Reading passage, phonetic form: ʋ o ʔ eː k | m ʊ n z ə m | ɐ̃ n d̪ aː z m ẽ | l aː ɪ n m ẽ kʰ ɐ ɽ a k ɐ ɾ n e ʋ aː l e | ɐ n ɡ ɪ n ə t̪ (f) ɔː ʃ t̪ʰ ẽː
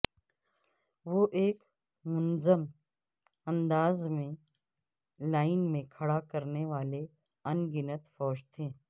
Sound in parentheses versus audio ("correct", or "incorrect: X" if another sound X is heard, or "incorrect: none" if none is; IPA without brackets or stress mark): correct